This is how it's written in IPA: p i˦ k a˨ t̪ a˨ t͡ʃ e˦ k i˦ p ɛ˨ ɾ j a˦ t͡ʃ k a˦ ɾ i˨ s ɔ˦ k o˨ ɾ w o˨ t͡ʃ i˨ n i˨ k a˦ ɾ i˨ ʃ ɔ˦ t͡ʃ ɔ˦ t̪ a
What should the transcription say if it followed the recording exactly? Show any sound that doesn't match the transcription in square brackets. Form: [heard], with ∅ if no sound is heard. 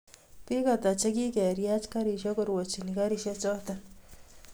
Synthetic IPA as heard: p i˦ k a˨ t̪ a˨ t͡ʃ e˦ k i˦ [k] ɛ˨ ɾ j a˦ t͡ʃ k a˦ ɾ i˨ [ʃ] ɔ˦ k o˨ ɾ w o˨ t͡ʃ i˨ n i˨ k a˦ ɾ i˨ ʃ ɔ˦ t͡ʃ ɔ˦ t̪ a

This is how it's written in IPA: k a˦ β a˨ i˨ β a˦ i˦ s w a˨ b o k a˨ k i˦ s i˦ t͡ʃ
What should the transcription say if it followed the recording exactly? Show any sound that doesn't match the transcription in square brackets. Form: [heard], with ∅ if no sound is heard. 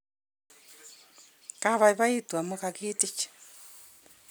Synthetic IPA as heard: k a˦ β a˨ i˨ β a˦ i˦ [t] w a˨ [m] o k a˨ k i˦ [t] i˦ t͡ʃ

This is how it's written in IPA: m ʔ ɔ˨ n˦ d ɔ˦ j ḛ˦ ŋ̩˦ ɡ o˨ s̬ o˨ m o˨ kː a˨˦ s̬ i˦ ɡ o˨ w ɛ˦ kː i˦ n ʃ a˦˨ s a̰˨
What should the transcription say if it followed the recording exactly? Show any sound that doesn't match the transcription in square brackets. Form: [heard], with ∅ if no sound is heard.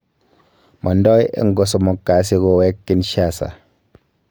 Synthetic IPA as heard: m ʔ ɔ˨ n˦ d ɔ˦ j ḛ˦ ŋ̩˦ ɡ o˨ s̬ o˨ m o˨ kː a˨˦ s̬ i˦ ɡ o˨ w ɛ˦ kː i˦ n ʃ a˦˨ s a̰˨

